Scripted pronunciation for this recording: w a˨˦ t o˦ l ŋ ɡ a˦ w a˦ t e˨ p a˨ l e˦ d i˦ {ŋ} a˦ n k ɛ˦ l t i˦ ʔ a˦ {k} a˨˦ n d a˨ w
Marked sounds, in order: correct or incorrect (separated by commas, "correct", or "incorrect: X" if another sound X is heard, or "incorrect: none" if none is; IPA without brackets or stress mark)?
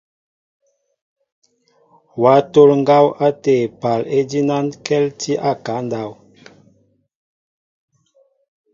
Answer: incorrect: n, correct